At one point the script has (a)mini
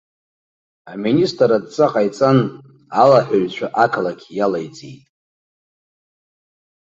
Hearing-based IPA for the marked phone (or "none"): a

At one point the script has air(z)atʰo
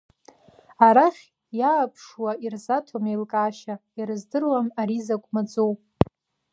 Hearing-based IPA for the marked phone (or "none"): z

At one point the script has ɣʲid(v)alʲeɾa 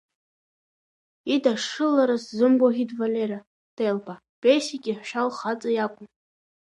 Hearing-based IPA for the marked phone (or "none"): v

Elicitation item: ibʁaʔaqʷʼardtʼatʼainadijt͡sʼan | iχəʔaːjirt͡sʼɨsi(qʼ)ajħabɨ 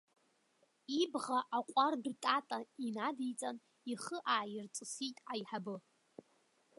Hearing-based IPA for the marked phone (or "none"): tʼ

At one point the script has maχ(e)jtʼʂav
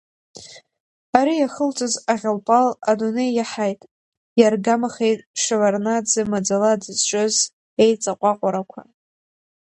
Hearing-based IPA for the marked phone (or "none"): e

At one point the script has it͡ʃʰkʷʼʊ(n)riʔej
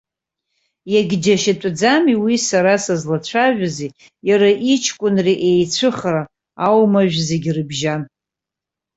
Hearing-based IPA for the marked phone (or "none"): n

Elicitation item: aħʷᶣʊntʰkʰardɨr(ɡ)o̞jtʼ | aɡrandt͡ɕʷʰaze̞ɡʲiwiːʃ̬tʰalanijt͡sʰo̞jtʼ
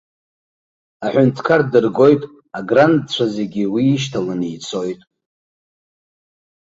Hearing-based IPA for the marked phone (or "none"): ɡ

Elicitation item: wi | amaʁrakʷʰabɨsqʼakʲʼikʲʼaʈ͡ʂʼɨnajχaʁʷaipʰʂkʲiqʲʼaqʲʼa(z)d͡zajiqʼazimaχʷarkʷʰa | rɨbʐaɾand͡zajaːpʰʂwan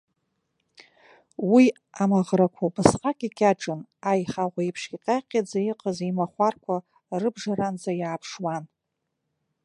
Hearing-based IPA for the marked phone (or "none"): none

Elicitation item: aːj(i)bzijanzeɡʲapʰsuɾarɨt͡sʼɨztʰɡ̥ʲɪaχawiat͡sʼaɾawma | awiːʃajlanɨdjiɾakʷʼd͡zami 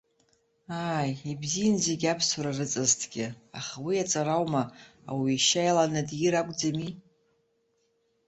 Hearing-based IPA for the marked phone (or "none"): i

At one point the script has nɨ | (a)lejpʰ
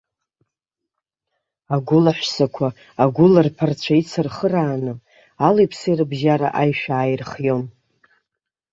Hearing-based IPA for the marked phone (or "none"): a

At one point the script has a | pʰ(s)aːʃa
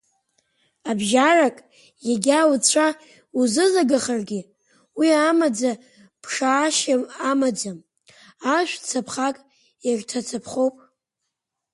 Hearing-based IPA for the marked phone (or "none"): ʂ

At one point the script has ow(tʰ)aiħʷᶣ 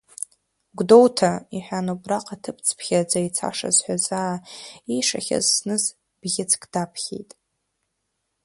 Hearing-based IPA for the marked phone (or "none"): tʰ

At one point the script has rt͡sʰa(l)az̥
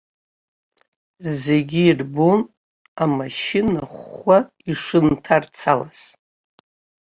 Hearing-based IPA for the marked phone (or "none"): l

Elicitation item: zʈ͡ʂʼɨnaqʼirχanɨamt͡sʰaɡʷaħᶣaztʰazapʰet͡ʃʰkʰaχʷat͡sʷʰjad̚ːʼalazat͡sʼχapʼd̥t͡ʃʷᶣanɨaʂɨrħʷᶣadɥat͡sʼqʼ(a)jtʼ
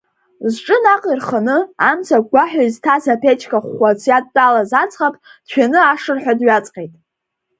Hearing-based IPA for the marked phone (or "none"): e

